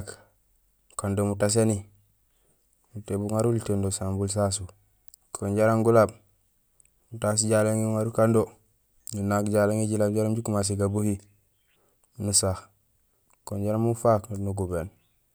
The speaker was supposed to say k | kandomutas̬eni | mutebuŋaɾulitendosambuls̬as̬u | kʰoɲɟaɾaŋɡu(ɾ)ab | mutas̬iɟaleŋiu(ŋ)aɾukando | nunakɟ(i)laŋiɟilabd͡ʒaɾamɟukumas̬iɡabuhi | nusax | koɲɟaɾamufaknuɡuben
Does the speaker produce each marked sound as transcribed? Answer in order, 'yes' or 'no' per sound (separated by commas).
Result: no, yes, no